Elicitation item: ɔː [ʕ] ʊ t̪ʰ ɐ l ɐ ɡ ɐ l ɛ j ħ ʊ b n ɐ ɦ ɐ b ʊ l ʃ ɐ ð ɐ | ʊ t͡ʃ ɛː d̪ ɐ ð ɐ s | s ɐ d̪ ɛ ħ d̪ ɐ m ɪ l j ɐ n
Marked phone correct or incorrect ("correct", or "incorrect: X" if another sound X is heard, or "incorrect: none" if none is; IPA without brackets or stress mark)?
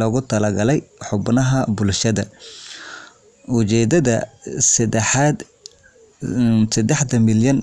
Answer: incorrect: ɣ